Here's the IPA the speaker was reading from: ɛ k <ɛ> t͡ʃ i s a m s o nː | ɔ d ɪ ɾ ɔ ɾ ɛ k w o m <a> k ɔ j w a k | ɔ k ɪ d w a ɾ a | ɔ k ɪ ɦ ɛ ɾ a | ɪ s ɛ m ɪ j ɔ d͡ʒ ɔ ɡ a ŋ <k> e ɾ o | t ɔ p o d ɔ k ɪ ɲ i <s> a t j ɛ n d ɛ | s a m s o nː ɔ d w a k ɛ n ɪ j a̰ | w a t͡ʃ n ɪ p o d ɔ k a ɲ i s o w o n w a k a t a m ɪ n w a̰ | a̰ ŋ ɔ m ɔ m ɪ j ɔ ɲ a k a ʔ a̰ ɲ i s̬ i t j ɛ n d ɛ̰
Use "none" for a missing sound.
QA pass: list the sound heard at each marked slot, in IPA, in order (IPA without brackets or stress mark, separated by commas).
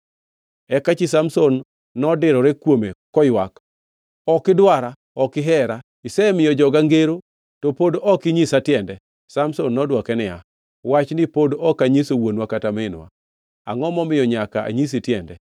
a, e, ɡ, s